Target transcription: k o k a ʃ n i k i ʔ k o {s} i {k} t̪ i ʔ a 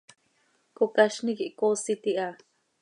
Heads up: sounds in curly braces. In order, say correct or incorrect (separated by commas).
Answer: correct, incorrect